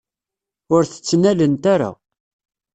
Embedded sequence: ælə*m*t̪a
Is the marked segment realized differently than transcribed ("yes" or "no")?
yes